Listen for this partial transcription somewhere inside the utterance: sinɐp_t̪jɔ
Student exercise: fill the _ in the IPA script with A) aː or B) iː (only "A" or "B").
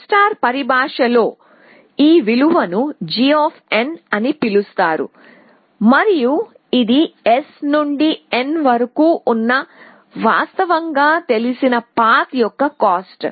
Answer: A